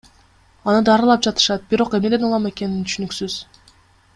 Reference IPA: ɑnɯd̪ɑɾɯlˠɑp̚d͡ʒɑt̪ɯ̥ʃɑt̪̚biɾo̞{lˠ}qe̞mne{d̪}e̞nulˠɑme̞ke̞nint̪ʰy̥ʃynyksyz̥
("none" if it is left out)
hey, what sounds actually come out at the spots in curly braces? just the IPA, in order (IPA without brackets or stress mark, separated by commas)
none, d̪